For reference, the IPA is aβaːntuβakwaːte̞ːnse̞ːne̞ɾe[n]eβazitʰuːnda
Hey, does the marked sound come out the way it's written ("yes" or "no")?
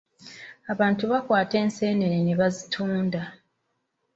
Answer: yes